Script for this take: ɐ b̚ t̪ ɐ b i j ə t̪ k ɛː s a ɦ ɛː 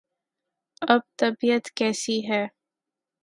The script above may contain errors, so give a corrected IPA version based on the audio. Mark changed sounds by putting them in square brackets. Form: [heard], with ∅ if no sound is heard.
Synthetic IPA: ɐ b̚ t̪ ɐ b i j ə t̪ k ɛː s [i] ɦ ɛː